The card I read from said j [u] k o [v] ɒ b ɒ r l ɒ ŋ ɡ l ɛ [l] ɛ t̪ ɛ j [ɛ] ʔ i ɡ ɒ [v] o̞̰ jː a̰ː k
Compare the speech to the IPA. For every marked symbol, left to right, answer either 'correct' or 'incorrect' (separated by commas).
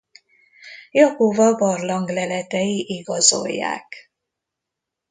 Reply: incorrect, correct, correct, incorrect, incorrect